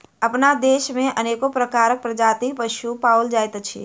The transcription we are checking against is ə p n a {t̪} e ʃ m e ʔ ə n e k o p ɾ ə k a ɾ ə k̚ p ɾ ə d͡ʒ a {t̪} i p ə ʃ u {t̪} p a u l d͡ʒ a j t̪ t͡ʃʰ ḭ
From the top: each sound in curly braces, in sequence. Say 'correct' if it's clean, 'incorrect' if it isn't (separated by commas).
incorrect, correct, incorrect